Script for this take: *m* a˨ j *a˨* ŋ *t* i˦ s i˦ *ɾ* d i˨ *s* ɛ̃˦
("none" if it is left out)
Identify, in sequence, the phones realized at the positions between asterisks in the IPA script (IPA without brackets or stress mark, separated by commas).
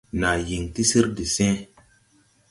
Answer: n, i˨, t, ɾ, s